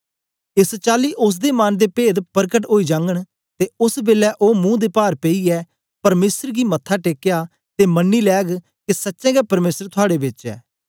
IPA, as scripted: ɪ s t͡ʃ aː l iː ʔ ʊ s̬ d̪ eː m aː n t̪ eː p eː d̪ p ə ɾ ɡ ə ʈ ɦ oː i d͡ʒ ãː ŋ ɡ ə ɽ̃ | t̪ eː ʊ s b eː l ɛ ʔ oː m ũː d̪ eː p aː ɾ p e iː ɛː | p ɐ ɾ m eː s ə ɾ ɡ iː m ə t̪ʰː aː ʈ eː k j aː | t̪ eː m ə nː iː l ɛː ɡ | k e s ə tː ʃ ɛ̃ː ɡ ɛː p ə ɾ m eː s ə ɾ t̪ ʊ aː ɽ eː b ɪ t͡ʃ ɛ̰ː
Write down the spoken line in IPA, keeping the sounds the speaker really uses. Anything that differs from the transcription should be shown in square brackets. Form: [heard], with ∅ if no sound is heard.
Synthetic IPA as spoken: ɪ s t͡ʃ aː l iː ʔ ʊ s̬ d̪ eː m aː n [d̪] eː p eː d̪ p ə ɾ [k] ə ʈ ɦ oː i d͡ʒ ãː ŋ ɡ ə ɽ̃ | t̪ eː ʊ s b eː l ɛ ʔ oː m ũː d̪ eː p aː ɾ p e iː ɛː | p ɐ ɾ m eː s ə ɾ ɡ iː m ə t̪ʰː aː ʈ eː k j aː | t̪ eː m ə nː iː l ɛː ɡ | k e s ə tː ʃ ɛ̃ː ɡ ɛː p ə ɾ m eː s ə ɾ [t̪ʰ] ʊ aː ɽ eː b ɪ t͡ʃ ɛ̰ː